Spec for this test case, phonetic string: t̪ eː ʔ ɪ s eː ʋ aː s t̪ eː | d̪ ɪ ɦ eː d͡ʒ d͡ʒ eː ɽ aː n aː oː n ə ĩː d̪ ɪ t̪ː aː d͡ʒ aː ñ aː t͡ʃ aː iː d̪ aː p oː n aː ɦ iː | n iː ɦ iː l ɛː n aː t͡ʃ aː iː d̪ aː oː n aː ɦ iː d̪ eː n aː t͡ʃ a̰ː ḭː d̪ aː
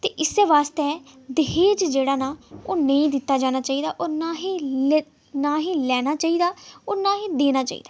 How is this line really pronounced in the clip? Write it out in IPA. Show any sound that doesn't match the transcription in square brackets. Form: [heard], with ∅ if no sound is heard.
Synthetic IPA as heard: t̪ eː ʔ ɪ s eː ʋ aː s t̪ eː | d̪ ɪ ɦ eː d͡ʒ d͡ʒ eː ɽ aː n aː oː n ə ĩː d̪ ɪ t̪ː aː d͡ʒ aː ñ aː t͡ʃ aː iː d̪ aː [ʔ] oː n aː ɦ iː | n [aː] ɦ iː l ɛː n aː t͡ʃ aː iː d̪ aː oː n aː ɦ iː d̪ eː n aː t͡ʃ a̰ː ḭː d̪ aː